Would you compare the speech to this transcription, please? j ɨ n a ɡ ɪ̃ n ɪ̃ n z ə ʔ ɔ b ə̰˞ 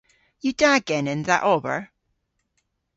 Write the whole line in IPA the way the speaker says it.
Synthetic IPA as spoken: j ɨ d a ɡ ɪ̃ n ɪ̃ n ð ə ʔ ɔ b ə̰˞